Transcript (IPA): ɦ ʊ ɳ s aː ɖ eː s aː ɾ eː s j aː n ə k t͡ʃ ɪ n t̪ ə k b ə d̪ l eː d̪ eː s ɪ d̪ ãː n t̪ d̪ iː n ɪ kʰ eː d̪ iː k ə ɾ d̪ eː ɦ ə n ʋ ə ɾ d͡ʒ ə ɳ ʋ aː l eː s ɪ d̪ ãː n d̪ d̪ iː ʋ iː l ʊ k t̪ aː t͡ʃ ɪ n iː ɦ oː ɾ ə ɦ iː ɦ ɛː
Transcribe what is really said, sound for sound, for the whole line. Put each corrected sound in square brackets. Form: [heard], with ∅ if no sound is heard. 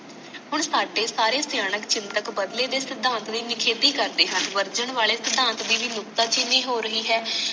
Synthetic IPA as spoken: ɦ ʊ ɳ s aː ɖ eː s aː ɾ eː s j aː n ə k t͡ʃ ɪ n t̪ ə k b ə d̪ l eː d̪ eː s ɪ d̪ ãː n t̪ d̪ iː n ɪ kʰ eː d̪ iː k ə ɾ d̪ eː ɦ ə n ʋ ə ɾ d͡ʒ ə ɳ ʋ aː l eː s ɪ d̪ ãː n [t̪] d̪ iː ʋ iː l ʊ k t̪ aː t͡ʃ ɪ n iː ɦ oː ɾ ə ɦ iː ɦ ɛː